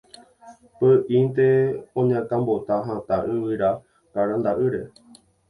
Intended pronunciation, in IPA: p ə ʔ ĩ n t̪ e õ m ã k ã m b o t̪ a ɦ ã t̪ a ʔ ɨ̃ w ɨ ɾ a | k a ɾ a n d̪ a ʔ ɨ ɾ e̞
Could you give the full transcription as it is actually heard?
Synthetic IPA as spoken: p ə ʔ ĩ n t̪ e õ ɲ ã k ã m b o t̪ a ɦ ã t̪ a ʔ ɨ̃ w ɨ ɾ a | k a ɾ a n d̪ a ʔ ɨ ɾ e̞

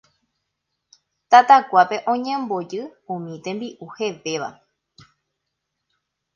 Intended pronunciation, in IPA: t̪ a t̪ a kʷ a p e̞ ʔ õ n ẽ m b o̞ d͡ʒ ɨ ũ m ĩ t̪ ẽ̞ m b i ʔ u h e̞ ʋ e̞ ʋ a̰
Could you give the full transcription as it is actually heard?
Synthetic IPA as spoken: t̪ a t̪ a kʷ a p e̞ ʔ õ ɲ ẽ m b o̞ d͡ʒ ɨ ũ m ĩ t̪ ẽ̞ m b i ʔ u h e̞ ʋ e̞ ʋ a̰

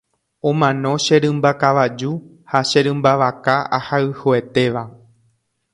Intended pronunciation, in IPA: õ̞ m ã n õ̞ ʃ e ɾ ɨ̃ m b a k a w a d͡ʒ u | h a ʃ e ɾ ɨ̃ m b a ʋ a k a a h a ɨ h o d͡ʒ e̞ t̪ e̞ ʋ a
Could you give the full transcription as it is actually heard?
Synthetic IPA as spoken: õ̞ m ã n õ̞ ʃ e ɾ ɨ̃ m b a k a ʋ a d͡ʒ u | h a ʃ e ɾ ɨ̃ m b a ʋ a k a a h a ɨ h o e̞ t̪ e̞ ʋ a

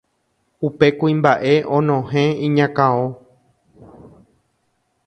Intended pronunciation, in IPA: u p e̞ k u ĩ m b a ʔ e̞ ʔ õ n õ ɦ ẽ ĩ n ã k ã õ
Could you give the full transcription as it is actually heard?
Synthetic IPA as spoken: u p e̞ k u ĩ m b a ʔ e̞ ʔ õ n õ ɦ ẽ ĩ ɲ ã k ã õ

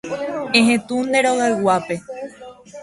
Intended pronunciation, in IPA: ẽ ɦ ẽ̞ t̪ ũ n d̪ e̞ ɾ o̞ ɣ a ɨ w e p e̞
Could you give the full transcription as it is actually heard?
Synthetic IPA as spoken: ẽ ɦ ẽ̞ t̪ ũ n d̪ e̞ ɾ o̞ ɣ a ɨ w a p e̞

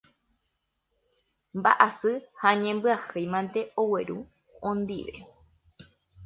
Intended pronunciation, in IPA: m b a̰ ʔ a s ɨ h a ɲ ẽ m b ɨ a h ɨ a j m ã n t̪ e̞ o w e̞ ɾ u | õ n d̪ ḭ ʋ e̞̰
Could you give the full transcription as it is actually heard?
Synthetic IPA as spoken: m b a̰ ʔ a s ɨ h a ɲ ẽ m b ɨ a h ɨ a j m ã n t̪ e̞ o w e̞ ɾ u | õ n d̪ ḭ ʋ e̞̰

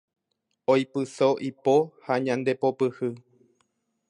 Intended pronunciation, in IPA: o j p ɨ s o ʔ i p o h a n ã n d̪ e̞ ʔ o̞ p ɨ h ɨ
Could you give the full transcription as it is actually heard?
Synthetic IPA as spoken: o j p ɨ s o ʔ i p o h a ɲ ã n d̪ e̞ p o̞ p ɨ h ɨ

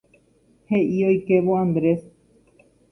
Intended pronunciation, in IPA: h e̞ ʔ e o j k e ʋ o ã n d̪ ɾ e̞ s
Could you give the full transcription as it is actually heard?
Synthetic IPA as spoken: h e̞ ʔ i o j k e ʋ o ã n d̪ ɾ e̞ s

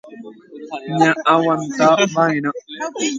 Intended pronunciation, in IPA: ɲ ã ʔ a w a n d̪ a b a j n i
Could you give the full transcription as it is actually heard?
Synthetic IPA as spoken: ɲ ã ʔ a w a n t̪ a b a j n a

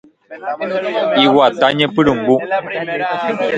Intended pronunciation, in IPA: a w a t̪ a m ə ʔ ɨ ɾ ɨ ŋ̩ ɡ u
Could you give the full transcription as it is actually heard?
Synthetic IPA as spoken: i w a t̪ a ɲ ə p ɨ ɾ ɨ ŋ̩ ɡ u

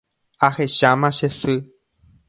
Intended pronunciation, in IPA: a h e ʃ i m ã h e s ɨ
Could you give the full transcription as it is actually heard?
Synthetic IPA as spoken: a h e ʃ a m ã ʃ e s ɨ

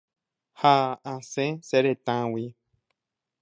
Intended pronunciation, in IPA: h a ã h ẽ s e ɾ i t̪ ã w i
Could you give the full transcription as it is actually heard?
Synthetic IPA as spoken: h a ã s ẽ s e ɾ e t̪ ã w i

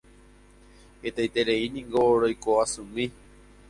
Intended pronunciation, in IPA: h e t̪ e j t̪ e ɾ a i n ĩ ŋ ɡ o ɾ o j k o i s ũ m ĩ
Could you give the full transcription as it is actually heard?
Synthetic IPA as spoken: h e t̪ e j t̪ e ɾ e i n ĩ ŋ ɡ o ɾ o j k o a s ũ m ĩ

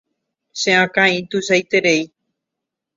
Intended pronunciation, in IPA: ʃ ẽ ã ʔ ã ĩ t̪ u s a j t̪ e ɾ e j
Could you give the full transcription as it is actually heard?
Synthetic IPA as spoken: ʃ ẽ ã k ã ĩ t̪ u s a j t̪ e ɾ e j

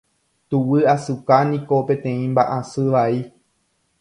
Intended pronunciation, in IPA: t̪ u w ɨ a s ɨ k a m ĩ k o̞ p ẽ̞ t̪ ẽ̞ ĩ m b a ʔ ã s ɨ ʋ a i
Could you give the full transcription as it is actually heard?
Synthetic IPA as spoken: t̪ u w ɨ a s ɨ k a n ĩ k o̞ p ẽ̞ t̪ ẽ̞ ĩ m b a ʔ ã s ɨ ʋ a i

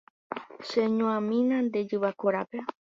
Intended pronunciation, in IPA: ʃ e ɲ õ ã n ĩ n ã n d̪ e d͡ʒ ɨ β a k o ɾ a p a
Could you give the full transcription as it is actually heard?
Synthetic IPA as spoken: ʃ e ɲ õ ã m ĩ n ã n d̪ e d͡ʒ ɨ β a k o ɾ a p e

